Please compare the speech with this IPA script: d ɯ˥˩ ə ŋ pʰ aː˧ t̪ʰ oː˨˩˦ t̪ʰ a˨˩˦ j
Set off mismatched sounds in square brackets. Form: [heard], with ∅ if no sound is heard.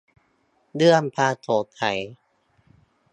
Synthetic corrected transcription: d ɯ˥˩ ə [m] pʰ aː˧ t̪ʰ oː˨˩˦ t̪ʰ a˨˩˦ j